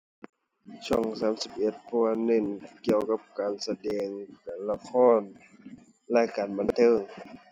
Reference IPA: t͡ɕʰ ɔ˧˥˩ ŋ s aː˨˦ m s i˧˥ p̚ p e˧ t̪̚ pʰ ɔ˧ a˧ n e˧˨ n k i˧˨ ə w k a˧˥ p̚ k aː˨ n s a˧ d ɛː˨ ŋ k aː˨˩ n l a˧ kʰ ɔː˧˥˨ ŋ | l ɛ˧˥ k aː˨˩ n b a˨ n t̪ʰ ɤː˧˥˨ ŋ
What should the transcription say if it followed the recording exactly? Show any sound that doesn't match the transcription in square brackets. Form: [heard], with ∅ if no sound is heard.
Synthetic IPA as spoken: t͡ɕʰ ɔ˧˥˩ ŋ s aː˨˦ m s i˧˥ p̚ [ʔ] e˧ t̪̚ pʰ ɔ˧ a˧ n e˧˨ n k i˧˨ ə w k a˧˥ p̚ k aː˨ n s a˧ d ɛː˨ ŋ k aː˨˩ n l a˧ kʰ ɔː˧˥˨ [n] | l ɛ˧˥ k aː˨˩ n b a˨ n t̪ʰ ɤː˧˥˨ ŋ